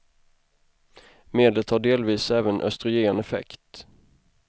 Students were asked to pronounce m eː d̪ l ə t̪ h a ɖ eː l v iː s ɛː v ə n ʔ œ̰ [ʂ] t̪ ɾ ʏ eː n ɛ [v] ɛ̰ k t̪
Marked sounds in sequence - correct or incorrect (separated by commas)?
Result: incorrect, incorrect